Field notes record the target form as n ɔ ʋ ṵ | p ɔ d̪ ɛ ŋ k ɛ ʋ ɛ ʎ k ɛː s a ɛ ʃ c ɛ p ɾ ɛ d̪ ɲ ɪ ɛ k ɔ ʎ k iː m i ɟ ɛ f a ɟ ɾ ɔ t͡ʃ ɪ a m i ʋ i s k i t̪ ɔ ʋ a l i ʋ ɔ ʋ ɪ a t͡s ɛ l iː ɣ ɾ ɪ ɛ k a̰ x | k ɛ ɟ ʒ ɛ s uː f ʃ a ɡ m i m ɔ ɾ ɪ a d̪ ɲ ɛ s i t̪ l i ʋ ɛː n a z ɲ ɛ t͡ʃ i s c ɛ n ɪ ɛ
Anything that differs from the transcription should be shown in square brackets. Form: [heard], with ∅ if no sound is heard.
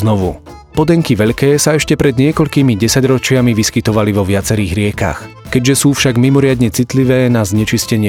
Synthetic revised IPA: n ɔ ʋ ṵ | p ɔ d̪ ɛ ŋ k [i] ʋ ɛ ʎ k ɛː s a ɛ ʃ c ɛ p ɾ ɛ d̪ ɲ ɪ ɛ k ɔ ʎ k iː m i ɟ ɛ [s] a ɟ ɾ ɔ t͡ʃ ɪ a m i ʋ i s k i t̪ ɔ ʋ a l i ʋ ɔ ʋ ɪ a t͡s ɛ [ɾ] iː ɣ ɾ ɪ ɛ k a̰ x | k ɛ ɟ ʒ ɛ s uː f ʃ a ɡ m i m ɔ ɾ ɪ a d̪ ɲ ɛ [t͡s] i t̪ l i ʋ ɛː n a z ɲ ɛ t͡ʃ i s c ɛ [ɲ] ɪ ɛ